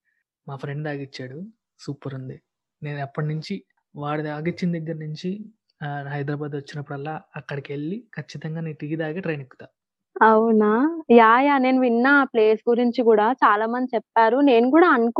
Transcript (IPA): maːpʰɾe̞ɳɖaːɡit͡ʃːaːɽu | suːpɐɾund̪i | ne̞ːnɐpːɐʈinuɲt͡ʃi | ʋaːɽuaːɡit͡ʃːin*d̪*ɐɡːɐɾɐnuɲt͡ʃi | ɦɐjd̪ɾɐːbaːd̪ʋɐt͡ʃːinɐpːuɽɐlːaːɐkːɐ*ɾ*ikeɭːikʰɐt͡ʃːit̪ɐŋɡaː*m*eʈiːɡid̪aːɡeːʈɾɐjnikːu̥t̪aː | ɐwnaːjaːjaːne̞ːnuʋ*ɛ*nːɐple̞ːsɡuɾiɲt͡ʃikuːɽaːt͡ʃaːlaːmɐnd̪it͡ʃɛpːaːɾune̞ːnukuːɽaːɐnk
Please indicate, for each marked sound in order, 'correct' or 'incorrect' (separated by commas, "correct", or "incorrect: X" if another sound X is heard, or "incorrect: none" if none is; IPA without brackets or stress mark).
correct, incorrect: ɽ, incorrect: n, incorrect: i